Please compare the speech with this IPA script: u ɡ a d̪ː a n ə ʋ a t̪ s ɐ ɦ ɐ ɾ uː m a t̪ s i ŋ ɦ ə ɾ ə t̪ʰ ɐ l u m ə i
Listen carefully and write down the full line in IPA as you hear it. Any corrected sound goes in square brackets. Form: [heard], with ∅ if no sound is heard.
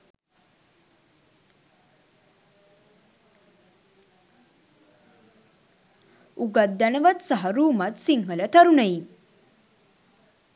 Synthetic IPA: u ɡ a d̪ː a n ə ʋ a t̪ s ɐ ɦ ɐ ɾ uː m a t̪ s i ŋ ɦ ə [l] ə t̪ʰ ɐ [ɾ] u [n] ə i